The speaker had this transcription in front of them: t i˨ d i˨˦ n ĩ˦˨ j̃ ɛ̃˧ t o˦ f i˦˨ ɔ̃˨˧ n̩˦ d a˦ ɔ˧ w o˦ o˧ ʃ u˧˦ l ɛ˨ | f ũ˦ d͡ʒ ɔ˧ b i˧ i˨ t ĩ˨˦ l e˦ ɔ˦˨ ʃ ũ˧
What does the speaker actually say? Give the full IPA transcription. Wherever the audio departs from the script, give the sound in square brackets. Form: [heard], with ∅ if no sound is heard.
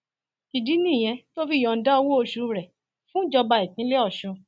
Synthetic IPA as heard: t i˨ d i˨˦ n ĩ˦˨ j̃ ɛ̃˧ t o˦ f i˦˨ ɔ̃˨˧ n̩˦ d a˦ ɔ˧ w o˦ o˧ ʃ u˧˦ [ɾ] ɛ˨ | f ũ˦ d͡ʒ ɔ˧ b [a˧] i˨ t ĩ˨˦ l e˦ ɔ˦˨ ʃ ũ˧